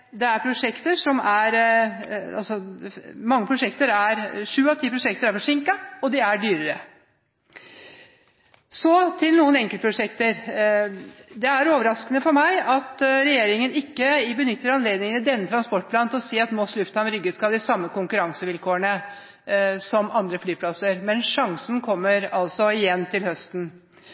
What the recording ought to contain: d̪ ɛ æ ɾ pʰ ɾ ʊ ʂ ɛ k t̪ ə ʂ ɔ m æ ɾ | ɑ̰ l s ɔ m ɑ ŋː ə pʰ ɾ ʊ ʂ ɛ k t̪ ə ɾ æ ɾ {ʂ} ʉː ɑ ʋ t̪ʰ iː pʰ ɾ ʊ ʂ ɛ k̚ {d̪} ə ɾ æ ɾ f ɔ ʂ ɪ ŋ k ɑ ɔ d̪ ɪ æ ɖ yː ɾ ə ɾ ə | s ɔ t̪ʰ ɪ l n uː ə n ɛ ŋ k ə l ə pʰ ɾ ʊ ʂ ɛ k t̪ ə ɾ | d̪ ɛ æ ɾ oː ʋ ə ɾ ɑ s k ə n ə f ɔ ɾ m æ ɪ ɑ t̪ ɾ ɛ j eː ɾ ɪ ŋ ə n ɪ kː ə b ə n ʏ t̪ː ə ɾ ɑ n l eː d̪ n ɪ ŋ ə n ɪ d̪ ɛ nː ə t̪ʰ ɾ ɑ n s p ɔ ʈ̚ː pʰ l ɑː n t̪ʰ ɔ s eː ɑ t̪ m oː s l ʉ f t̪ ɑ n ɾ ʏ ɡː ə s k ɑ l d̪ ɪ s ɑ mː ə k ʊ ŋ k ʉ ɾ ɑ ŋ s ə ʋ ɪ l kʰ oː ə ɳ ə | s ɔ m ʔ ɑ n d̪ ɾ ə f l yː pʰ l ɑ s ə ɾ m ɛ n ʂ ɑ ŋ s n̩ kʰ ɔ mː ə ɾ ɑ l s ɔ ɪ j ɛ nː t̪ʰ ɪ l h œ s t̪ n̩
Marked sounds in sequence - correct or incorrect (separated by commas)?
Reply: correct, incorrect